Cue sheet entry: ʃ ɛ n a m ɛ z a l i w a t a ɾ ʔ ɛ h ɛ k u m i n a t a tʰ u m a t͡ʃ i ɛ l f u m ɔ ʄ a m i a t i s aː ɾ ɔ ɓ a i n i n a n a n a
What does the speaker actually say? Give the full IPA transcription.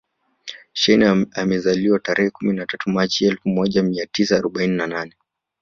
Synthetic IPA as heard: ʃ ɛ n a m ɛ z a l i w a t a ɾ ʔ ɛ h ɛ k u m i n a t a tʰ u m a t͡ʃ i ɛ l f u m ɔ ʄ a m i a t i s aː ɾ ɔ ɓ a i n i n a n a n ɛ